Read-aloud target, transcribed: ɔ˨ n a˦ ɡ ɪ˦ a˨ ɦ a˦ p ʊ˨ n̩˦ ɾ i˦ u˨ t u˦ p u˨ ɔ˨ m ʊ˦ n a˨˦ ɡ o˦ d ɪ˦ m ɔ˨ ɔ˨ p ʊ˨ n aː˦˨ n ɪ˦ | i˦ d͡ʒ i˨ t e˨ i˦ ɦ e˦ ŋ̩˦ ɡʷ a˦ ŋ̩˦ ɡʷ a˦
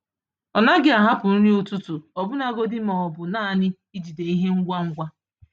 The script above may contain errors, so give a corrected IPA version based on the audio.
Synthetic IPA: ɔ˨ n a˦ ɡ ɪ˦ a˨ ɦ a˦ p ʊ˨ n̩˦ ɾ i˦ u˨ t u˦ t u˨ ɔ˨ b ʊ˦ n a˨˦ ɡ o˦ d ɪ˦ m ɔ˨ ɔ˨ b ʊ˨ n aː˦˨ n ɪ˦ | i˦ d͡ʒ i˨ d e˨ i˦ ɦ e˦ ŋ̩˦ ɡʷ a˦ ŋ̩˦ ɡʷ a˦